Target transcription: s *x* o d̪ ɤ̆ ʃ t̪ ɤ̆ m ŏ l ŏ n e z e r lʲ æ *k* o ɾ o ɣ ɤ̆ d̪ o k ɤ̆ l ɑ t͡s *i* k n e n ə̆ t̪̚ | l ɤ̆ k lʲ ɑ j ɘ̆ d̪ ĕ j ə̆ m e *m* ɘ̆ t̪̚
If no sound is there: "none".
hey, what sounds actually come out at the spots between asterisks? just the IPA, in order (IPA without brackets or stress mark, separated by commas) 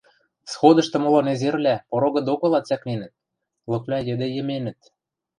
x, p, æ, n